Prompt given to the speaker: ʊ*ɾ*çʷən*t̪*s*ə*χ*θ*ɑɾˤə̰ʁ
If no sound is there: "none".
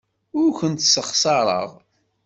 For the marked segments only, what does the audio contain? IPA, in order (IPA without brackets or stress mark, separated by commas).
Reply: ɾ, t̪, ə, s